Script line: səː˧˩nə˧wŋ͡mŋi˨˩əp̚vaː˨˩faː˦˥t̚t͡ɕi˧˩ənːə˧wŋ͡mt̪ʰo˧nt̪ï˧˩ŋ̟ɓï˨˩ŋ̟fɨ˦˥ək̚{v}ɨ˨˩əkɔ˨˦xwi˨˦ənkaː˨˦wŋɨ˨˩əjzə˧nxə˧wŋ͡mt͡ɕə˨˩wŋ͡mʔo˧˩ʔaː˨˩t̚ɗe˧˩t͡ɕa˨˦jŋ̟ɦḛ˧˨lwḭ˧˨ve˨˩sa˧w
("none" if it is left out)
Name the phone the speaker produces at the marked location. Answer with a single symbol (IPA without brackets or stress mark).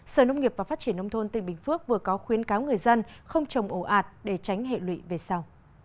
v